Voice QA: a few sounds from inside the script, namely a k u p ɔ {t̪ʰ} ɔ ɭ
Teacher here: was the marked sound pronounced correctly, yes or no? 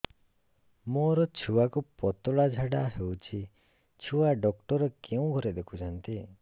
no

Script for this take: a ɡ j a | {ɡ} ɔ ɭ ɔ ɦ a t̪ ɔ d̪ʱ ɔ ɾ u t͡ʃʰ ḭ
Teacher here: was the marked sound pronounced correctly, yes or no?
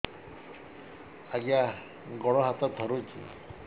yes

